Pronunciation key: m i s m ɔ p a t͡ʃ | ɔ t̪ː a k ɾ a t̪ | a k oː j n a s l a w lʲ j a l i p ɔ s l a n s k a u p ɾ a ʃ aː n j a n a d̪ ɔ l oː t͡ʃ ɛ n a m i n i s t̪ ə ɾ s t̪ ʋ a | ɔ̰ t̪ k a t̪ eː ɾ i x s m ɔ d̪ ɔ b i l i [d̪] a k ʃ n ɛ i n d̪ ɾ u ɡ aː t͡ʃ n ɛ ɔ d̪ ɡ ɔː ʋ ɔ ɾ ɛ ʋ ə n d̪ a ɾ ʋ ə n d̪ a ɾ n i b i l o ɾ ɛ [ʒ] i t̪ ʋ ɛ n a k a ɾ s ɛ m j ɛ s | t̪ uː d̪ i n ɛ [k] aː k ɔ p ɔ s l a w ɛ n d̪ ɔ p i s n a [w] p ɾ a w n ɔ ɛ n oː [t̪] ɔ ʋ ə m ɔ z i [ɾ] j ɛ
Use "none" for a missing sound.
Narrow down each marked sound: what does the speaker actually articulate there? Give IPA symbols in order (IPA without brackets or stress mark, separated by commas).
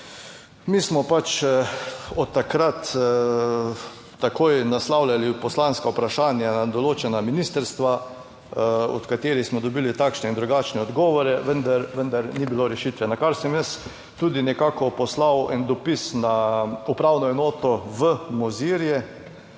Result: t̪, ʃ, k, u, t̪, ɾ